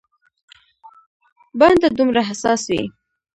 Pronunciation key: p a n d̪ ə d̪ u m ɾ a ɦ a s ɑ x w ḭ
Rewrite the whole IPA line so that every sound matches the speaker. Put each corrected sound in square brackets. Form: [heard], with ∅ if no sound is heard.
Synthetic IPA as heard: [b] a n d̪ [a] d̪ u m ɾ a ɦ a s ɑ [s] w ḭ